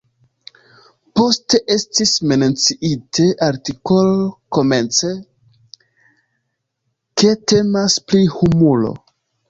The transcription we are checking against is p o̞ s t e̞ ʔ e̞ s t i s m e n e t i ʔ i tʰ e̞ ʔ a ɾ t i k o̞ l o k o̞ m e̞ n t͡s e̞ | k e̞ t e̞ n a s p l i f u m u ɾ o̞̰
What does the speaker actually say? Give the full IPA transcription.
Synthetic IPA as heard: p o̞ s t e̞ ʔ e̞ s t i s m e n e t͡s i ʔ i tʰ e̞ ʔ a ɾ t i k o̞ l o k o̞ m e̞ n t͡s e̞ | k e̞ t e̞ m a s p l i h u m u l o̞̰